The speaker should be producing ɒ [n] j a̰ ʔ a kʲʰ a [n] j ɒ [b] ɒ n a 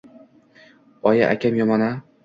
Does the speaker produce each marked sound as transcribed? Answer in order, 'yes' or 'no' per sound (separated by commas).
no, no, no